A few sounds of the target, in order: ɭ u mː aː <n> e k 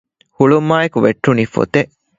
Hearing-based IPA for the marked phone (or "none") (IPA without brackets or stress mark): none